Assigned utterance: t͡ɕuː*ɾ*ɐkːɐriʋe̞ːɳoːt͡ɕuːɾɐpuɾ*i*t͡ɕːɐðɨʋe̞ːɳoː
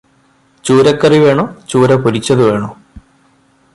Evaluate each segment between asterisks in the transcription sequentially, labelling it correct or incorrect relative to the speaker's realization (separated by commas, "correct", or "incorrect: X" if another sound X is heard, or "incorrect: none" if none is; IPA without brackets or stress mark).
correct, correct